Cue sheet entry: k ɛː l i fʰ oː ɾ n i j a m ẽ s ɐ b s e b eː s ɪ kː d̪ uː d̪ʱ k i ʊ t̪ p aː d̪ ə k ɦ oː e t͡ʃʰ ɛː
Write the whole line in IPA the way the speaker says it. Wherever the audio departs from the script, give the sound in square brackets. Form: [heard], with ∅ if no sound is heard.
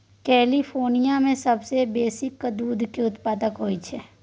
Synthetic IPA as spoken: k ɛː l i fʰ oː ɾ n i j a m ẽ s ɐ b s e b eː s ɪ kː d̪ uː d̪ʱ k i ʊ t̪ p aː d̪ ə k ɦ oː [i] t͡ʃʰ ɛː